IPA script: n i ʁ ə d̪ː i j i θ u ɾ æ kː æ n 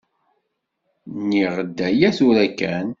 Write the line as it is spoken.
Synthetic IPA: n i ʁ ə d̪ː æ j æ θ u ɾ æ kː æ n